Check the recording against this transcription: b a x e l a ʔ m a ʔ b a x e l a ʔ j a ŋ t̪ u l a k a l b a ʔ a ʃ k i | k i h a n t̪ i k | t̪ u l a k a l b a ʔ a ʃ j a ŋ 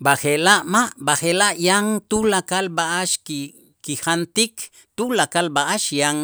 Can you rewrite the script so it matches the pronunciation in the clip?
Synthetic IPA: b a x e l a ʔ m a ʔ b a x e l a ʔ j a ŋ t̪ u l a k a l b a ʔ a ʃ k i | k i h a n t̪ i k | t̪ u l a k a l b a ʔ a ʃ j a ŋ